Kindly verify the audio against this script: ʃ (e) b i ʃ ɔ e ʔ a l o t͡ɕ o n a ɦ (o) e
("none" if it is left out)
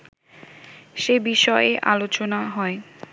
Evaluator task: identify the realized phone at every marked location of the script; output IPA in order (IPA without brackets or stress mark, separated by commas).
e, ɔ